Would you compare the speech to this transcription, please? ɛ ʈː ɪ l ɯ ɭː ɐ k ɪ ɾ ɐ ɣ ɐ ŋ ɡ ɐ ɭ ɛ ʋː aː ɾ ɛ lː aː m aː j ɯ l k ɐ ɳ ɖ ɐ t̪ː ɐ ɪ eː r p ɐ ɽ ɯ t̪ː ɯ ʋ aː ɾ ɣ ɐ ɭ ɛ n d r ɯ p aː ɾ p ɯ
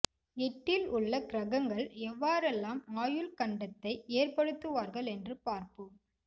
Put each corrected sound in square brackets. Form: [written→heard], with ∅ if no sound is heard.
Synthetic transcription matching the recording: ɛ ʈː ɪ l [ɯ→ʊ] ɭː ɐ k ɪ ɾ ɐ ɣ ɐ ŋ ɡ ɐ ɭ ɛ ʋː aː ɾ ɛ lː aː m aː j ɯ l k ɐ ɳ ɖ ɐ t̪ː ɐ ɪ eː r p ɐ ɽ ɯ t̪ː ɯ ʋ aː ɾ ɣ ɐ ɭ ɛ n d r ɯ p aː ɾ p ɯ